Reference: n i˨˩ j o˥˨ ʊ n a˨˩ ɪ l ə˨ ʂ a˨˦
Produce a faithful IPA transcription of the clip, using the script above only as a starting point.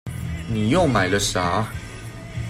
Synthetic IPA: n i˨˩ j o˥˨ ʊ m a˨˩ ɪ l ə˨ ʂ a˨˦